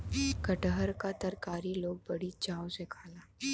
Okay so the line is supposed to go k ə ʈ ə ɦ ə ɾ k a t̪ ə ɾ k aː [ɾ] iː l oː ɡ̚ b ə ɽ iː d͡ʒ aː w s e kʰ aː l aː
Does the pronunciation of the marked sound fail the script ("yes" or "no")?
no